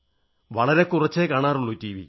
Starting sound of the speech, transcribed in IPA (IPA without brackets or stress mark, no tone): ʋ